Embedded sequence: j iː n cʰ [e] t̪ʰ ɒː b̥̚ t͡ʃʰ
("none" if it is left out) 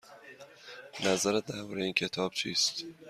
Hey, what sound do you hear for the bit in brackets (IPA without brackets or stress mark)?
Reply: e